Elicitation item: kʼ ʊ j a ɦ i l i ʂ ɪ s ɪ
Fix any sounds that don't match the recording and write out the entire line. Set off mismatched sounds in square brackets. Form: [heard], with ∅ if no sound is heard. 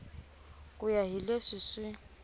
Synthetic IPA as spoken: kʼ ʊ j a ɦ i l [e] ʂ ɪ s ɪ